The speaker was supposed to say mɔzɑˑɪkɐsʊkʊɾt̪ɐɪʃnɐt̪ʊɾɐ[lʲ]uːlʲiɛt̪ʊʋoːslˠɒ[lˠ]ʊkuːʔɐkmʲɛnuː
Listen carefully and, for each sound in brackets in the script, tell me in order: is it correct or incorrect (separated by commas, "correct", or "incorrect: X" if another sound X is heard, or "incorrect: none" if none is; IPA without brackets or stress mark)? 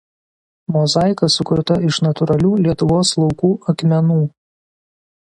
correct, incorrect: none